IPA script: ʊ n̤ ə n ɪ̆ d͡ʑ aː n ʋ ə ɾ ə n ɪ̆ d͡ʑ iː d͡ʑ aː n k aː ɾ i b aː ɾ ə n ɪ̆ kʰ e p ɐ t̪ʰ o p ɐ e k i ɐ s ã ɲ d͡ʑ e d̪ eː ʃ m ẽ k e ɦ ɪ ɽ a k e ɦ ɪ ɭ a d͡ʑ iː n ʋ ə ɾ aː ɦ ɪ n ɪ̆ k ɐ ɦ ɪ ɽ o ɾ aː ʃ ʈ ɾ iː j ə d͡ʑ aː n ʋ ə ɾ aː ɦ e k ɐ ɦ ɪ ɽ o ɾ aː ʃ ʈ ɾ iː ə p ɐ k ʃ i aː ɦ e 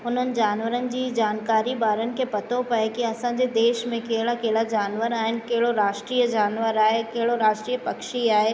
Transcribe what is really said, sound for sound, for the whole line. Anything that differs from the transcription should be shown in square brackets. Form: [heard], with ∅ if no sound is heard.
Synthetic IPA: ʊ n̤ ə n ɪ̆ d͡ʑ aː n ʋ ə ɾ ə n ɪ̆ d͡ʑ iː d͡ʑ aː n k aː ɾ i b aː ɾ ə n ɪ̆ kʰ e p ɐ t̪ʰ o p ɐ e k i ɐ s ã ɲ d͡ʑ e d̪ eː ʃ m ẽ k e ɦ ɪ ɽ a k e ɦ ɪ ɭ a d͡ʑ [aː] n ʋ ə ɾ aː ɦ ɪ n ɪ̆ k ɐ ɦ ɪ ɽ o ɾ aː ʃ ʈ ɾ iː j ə d͡ʑ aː n ʋ ə ɾ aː ɦ e k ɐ ɦ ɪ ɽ o ɾ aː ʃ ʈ ɾ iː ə p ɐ k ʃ i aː ɦ e